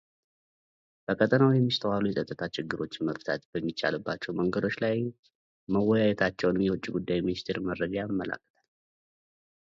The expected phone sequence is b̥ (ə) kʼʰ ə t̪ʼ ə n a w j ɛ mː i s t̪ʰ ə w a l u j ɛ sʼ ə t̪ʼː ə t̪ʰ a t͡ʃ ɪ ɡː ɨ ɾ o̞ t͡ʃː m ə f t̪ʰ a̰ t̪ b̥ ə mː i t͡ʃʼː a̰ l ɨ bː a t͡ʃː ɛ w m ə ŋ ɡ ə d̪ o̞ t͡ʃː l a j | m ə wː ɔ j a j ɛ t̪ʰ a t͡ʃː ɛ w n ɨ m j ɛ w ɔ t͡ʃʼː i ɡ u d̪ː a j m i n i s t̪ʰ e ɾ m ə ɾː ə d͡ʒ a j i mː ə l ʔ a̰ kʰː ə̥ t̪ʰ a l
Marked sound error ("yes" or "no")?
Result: no